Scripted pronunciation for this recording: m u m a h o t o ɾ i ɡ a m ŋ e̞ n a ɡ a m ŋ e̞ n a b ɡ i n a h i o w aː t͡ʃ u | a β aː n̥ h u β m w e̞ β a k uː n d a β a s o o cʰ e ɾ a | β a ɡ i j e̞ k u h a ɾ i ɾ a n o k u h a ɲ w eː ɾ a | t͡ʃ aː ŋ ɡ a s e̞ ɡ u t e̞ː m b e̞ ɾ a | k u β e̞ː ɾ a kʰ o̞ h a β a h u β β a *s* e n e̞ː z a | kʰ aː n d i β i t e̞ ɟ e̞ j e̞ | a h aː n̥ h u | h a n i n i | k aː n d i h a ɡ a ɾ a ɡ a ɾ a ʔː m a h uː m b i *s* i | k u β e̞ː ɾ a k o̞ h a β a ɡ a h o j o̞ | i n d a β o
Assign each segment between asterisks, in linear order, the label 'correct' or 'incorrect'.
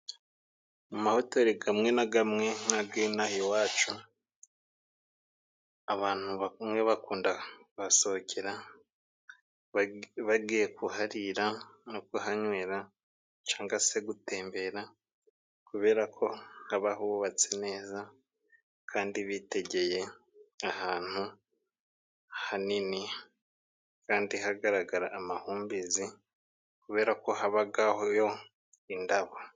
incorrect, incorrect

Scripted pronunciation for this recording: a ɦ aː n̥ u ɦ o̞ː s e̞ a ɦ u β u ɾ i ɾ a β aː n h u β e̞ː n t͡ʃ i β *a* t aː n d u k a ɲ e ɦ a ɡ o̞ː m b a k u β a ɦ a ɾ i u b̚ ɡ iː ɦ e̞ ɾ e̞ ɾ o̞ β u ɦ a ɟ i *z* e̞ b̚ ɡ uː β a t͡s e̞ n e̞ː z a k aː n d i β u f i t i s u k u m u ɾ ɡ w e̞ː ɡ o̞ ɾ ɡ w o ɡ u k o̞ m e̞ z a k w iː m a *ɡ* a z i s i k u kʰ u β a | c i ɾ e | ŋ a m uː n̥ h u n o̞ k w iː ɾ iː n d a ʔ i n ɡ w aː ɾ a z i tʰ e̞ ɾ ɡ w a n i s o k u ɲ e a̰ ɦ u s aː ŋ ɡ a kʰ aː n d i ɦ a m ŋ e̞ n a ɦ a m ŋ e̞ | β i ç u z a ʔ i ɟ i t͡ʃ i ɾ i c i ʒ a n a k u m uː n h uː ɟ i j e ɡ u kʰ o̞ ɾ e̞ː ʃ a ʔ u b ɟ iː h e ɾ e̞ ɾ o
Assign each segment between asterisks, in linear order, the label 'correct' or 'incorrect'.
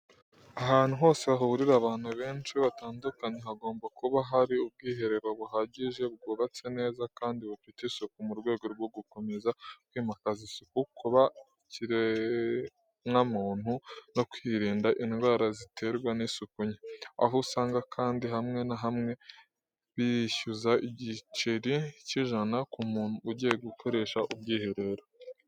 correct, incorrect, incorrect

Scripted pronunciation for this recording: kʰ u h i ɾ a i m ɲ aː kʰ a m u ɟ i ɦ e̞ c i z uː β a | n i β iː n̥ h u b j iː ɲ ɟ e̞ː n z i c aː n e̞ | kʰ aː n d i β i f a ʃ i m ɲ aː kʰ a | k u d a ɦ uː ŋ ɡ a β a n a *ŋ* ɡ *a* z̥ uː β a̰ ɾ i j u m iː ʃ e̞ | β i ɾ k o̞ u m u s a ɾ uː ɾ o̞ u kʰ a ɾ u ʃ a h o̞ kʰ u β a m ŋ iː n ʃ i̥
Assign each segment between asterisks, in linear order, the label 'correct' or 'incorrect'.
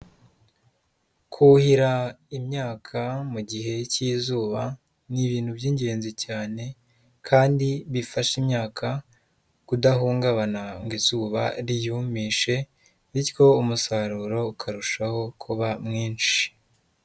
correct, incorrect

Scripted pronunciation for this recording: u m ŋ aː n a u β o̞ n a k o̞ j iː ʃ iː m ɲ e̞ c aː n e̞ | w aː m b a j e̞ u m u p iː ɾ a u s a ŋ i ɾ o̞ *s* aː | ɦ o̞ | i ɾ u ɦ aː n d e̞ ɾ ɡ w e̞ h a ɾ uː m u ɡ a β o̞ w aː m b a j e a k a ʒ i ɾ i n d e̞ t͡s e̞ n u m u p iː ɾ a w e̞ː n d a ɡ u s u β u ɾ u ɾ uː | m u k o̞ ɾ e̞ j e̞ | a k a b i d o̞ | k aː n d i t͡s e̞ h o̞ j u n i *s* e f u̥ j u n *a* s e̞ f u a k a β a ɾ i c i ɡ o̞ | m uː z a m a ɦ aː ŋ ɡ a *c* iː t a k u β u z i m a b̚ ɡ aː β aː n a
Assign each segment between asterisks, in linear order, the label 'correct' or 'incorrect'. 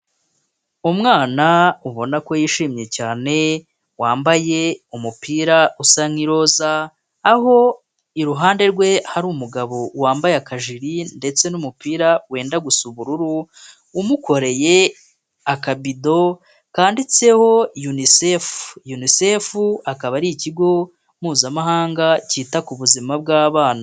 incorrect, correct, incorrect, correct

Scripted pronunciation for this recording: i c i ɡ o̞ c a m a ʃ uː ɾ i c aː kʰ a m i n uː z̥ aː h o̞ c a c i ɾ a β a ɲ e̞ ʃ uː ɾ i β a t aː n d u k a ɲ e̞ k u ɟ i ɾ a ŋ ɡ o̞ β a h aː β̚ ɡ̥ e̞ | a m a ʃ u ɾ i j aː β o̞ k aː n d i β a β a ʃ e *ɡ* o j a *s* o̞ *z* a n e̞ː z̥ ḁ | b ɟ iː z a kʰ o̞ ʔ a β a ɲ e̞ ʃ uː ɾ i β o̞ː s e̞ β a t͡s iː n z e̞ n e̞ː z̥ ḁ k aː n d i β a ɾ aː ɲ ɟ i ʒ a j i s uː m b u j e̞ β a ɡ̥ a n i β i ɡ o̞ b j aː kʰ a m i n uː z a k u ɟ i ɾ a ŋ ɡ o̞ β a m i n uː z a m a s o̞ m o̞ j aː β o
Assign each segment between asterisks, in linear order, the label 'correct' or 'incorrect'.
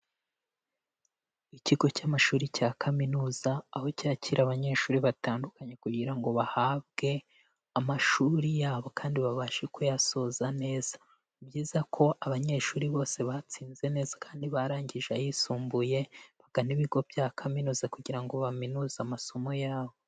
incorrect, correct, correct

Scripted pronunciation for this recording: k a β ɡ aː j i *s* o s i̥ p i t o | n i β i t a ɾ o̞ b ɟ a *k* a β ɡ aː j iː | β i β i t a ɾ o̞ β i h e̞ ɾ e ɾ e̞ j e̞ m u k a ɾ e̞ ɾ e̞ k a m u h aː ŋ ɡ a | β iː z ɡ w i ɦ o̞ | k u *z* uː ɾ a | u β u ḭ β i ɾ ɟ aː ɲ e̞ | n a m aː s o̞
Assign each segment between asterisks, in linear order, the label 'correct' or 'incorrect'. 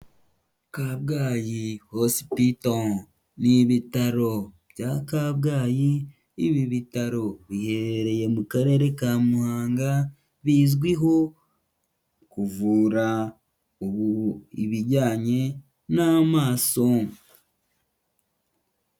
incorrect, correct, incorrect

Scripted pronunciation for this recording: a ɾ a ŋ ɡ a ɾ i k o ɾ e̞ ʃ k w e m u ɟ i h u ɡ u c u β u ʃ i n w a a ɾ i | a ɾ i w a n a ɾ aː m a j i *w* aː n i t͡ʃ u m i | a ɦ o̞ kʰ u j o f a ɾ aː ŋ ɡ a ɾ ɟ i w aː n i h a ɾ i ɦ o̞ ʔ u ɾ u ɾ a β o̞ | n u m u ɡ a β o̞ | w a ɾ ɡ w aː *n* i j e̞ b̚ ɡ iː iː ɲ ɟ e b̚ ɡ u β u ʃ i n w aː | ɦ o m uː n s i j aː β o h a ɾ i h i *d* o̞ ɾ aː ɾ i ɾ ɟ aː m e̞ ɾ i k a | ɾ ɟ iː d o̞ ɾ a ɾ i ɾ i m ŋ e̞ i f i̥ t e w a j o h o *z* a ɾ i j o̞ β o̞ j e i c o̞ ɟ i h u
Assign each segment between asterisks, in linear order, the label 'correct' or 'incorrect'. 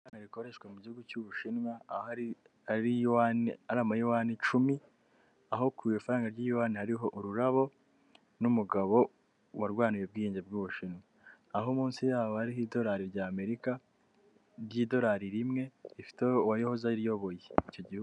correct, correct, correct, correct

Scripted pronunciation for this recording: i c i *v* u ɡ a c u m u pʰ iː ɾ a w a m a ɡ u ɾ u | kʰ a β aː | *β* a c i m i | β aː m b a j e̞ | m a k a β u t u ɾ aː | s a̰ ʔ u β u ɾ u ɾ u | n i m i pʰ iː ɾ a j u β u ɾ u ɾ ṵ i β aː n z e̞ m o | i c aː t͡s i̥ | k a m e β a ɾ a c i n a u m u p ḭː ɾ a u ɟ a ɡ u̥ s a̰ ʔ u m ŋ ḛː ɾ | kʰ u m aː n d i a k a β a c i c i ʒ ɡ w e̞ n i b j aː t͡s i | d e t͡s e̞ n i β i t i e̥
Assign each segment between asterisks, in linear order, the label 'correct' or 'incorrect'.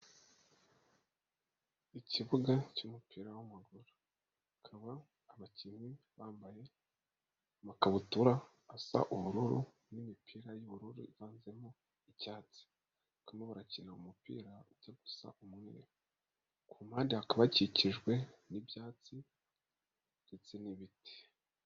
incorrect, correct

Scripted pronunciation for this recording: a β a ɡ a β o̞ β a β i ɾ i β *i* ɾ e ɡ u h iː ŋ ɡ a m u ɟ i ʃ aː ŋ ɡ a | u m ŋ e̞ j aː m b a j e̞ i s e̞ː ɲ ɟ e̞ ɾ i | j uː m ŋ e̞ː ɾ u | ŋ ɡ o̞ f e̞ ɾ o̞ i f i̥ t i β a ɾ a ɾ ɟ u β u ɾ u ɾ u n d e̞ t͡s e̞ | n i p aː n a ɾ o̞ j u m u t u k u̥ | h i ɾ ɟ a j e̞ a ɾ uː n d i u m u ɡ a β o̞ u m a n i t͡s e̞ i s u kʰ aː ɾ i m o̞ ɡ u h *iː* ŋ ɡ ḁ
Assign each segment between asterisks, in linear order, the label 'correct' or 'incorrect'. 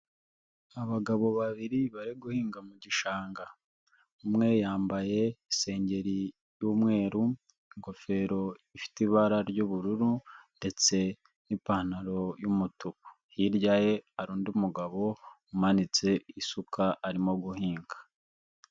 incorrect, correct

